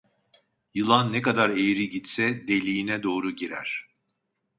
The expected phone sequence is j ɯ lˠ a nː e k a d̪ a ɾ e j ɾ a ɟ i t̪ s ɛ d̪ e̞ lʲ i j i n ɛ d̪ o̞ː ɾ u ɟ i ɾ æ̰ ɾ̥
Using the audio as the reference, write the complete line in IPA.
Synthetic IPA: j ɯ lˠ a nː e k a d̪ a ɾ e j ɾ i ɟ i t̪ s ɛ d̪ e̞ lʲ i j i n ɛ d̪ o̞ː ɾ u ɟ i ɾ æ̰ ɾ̥